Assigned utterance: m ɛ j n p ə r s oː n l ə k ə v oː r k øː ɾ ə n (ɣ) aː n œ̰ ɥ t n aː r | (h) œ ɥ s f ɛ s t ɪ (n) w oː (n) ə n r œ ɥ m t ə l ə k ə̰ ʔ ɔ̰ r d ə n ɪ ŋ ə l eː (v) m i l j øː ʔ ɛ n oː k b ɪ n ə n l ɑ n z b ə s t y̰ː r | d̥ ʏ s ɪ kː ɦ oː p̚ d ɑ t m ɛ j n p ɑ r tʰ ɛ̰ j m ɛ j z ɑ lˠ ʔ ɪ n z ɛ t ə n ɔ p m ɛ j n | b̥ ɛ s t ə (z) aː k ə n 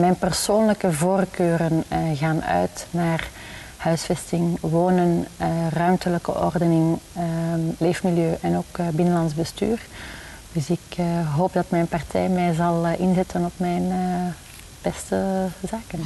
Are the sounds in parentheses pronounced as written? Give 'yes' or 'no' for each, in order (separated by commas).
yes, yes, no, yes, no, yes